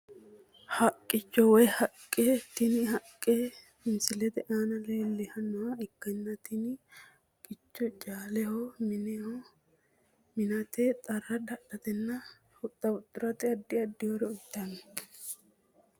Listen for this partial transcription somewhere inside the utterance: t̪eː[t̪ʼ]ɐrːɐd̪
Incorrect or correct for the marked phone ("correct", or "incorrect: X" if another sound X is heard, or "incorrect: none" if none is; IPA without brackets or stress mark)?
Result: correct